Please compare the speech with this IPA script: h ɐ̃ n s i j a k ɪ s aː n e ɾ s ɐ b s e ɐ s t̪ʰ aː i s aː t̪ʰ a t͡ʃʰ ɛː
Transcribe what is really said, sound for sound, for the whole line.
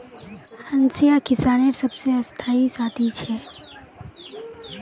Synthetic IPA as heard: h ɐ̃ n s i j a k ɪ s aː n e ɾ s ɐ b s e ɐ s t̪ʰ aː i s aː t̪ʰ i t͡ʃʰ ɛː